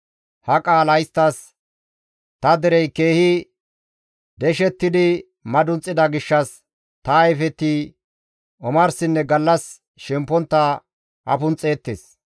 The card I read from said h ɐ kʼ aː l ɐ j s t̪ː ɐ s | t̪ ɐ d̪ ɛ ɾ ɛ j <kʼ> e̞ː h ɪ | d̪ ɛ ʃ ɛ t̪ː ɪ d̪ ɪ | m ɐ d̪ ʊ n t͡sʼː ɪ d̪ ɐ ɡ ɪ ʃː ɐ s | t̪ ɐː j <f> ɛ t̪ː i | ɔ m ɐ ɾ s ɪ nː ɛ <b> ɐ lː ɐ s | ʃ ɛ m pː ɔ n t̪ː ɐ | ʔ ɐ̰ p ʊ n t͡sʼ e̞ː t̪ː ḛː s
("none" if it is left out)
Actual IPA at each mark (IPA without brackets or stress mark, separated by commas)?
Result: k, f, ɡ